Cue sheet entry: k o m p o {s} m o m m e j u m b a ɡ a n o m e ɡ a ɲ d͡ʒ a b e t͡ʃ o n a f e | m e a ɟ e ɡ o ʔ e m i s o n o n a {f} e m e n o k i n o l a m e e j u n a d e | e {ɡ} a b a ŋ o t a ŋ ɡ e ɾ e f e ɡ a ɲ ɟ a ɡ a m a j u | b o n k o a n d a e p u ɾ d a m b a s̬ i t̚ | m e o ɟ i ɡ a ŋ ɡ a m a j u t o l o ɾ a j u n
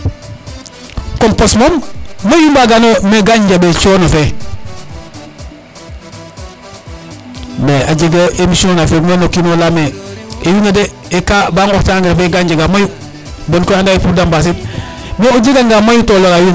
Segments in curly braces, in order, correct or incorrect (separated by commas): correct, correct, incorrect